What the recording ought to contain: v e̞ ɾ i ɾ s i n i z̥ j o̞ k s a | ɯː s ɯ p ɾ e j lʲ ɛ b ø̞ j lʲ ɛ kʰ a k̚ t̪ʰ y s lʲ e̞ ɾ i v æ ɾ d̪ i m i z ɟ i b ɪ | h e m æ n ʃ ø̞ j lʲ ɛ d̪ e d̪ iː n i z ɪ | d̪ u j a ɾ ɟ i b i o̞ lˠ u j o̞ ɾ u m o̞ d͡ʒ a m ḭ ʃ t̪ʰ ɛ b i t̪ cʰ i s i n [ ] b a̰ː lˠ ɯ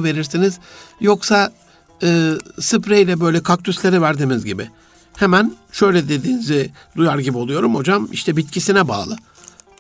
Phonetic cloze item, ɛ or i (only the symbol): ɛ